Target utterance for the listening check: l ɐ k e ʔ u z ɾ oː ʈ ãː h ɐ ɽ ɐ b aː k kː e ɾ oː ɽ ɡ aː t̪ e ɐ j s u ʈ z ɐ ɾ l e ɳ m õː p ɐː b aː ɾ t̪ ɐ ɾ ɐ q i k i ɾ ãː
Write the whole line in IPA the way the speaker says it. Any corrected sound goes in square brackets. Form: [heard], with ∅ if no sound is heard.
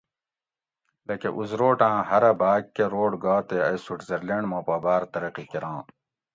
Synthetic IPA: l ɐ k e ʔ u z ɾ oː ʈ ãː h ɐ [ɾ] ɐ b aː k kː e ɾ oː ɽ ɡ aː t̪ e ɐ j s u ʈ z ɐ ɾ l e ɳ m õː p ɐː b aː ɾ t̪ ɐ ɾ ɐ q i k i ɾ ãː